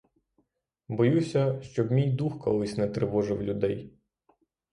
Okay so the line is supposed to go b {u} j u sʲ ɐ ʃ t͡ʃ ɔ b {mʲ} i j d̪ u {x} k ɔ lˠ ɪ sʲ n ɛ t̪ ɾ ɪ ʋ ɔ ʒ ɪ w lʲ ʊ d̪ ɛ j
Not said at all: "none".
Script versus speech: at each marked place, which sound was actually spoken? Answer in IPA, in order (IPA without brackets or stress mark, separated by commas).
ɔ, mʲ, x